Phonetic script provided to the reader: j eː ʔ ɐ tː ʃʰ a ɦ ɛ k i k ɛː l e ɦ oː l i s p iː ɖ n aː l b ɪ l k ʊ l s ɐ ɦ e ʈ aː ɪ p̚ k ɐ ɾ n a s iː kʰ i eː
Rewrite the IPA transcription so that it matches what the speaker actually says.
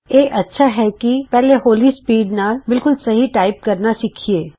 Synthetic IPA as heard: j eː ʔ ɐ tː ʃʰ a ɦ ɛ k i p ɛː l e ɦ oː l i s p iː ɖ n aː l b ɪ l k ʊ l s ɐ ɦ i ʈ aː ɪ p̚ k ɐ ɾ n a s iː kʰ i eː